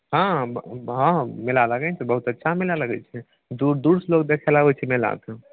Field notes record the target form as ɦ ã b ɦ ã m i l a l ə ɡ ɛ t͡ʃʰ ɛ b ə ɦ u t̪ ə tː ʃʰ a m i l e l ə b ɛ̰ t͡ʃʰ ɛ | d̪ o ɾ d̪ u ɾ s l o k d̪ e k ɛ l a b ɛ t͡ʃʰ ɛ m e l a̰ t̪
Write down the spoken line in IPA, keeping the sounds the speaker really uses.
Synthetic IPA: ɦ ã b ɦ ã m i l a l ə ɡ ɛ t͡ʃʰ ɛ b ə ɦ u t̪ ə tː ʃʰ a m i l a l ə ɡ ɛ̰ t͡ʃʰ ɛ | d̪ u ɾ d̪ u ɾ s l o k d̪ e kʰ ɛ l a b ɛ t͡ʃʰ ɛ m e l a̰ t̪